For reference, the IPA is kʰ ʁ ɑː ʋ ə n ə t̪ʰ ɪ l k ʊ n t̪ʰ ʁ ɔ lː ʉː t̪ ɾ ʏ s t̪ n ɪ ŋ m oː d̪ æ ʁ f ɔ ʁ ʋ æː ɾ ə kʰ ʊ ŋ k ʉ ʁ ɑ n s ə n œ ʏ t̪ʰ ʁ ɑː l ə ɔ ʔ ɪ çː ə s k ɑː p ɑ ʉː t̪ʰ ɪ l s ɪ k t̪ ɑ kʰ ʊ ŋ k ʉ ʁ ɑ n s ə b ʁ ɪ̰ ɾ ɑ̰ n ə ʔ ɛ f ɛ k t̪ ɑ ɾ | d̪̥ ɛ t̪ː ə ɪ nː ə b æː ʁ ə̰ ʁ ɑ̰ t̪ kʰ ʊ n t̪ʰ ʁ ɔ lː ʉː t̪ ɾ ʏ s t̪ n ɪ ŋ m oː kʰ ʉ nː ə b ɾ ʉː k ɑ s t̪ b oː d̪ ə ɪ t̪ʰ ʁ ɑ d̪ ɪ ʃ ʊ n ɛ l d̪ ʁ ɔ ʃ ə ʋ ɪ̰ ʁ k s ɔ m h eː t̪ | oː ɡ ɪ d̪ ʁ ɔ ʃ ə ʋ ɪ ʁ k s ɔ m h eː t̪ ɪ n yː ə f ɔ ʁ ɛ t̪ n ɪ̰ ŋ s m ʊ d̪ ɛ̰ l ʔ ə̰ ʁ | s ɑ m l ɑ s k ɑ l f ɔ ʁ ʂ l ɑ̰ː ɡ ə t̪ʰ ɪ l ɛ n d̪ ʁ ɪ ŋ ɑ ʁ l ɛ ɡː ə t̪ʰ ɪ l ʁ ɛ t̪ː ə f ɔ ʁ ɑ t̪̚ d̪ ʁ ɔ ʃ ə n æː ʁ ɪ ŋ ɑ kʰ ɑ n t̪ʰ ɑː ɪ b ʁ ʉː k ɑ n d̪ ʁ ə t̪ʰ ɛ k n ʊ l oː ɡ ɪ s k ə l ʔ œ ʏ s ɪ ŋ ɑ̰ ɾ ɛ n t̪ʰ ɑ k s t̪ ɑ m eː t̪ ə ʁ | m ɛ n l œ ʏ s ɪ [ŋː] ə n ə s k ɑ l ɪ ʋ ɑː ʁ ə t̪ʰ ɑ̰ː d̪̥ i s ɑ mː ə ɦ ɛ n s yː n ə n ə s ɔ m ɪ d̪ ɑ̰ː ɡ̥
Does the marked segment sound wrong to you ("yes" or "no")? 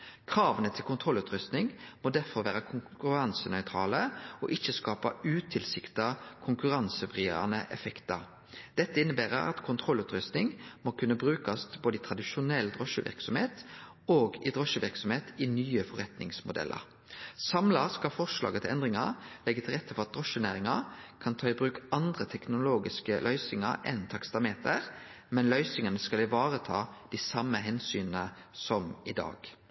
yes